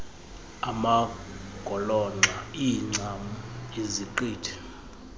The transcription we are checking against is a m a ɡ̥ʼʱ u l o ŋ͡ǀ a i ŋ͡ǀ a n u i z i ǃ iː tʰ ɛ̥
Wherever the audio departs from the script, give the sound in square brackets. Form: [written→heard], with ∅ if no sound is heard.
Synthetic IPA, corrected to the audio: a m a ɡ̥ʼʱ [u→ɔ] l [o→ɔ] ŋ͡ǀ a i ŋ͡ǀ a [n→m] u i z i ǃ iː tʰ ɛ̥